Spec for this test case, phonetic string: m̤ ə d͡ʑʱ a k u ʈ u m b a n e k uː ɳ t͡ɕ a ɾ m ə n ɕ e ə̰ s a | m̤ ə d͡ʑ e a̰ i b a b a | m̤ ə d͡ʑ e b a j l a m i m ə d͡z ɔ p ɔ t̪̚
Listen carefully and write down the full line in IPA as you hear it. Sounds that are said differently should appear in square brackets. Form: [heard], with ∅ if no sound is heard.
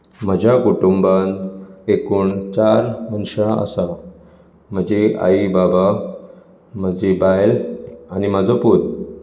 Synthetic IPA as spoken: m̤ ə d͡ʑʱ a k u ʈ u m b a n e k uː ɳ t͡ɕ a ɾ m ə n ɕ [a] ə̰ s a | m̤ ə d͡ʑ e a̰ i b a b a | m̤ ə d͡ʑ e b a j l a [n] i m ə d͡z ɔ p [u] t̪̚